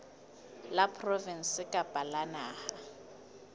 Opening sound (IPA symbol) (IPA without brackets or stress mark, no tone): l